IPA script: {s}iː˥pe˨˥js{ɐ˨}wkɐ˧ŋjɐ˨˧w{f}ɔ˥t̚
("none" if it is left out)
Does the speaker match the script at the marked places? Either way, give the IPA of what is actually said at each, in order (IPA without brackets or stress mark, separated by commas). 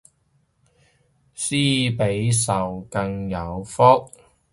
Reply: s, ɐ˨, f